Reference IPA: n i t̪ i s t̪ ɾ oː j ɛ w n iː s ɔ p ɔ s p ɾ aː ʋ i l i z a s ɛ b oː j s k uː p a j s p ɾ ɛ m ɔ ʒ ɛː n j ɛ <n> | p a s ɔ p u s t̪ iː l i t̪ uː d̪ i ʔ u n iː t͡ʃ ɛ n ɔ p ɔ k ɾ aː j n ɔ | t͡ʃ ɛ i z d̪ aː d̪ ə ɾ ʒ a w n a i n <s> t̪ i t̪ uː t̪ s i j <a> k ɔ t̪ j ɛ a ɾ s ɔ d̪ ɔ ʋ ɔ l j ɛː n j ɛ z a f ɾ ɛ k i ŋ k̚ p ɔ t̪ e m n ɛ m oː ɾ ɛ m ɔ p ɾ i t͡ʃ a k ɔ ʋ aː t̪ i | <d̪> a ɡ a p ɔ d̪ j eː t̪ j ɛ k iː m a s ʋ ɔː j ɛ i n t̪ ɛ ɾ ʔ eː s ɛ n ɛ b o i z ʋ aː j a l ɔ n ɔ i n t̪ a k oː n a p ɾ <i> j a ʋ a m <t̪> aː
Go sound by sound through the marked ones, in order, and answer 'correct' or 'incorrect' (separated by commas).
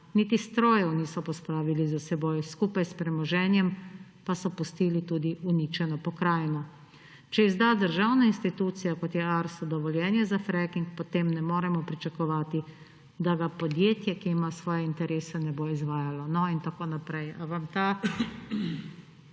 incorrect, correct, correct, correct, incorrect, correct